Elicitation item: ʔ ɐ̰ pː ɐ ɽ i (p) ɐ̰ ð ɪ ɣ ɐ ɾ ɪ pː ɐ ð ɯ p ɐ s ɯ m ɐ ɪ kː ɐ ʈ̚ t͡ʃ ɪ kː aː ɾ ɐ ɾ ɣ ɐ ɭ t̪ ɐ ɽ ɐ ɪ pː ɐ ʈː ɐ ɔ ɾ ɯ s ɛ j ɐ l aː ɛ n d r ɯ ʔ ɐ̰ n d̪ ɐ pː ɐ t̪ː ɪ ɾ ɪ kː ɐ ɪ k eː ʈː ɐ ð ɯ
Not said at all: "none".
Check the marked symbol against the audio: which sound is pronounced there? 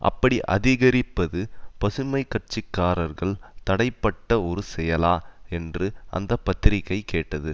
ʔ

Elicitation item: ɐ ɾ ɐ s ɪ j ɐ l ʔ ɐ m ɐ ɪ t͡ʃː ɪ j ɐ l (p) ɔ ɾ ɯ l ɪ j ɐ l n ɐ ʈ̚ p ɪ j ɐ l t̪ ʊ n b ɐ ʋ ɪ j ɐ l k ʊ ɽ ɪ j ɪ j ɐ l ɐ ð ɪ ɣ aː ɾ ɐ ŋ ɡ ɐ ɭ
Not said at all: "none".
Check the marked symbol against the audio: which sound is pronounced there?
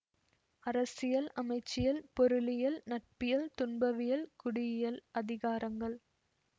p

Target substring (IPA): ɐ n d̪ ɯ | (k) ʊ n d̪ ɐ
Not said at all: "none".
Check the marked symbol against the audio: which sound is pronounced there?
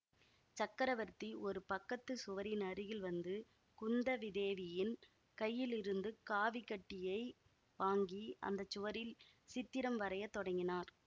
k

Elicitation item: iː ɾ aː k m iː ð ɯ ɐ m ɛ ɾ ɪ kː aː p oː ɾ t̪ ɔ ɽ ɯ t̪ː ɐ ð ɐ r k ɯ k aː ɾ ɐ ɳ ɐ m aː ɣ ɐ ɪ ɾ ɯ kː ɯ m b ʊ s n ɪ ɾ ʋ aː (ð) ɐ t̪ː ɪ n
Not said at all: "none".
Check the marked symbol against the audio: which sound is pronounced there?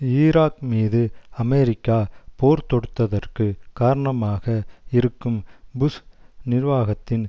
ɣ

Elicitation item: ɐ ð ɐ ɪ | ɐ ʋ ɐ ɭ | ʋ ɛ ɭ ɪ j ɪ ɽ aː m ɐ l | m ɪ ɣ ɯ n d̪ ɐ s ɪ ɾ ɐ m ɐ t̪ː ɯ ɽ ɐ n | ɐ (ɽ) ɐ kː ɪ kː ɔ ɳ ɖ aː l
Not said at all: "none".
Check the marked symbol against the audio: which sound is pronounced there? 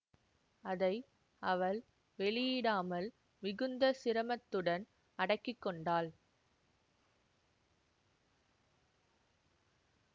ɽ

